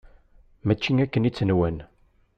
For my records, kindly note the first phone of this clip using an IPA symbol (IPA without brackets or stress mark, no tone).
m